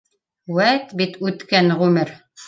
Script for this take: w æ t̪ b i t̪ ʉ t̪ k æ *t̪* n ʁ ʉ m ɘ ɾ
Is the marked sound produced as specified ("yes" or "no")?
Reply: no